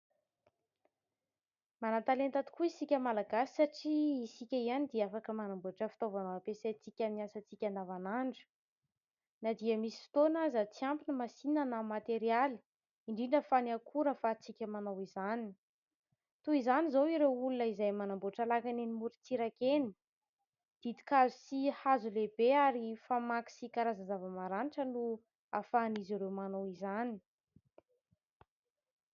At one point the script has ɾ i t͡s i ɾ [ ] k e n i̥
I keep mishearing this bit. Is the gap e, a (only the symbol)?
a